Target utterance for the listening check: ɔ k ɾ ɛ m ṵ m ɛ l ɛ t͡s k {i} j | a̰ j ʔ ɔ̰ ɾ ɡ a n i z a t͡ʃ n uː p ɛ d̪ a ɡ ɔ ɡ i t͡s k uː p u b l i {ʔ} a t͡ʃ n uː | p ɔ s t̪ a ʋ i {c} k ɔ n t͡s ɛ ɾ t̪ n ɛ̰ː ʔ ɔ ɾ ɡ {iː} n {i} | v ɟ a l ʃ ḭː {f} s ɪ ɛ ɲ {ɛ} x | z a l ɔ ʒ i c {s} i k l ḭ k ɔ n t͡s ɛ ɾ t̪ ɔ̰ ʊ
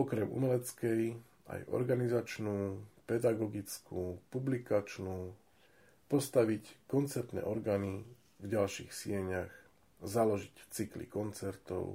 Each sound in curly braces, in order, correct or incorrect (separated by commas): incorrect, incorrect, correct, incorrect, correct, incorrect, incorrect, incorrect